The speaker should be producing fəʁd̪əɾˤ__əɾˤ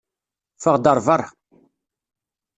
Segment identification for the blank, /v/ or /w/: v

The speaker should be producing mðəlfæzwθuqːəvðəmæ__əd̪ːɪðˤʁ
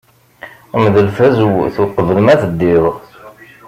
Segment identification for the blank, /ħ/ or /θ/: θ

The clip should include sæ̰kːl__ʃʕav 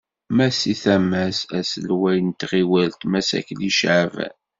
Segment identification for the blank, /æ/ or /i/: i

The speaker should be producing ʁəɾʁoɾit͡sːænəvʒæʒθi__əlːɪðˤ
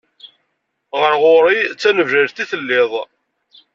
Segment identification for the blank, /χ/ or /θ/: θ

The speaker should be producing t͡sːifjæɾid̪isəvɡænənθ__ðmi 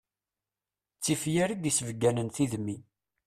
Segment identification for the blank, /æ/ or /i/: i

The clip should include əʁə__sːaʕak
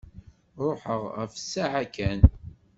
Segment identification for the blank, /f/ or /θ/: f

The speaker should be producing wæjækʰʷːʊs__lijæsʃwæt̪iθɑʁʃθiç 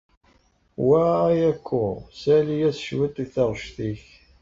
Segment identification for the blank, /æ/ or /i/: æ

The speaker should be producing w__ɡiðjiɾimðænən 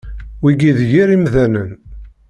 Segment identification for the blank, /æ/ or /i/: i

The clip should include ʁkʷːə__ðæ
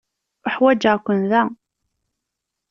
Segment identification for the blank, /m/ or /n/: n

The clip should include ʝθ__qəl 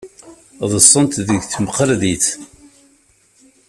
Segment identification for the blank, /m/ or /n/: m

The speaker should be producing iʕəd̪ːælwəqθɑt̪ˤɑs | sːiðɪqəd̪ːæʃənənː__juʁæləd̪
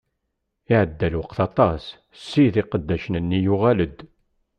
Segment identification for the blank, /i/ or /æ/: i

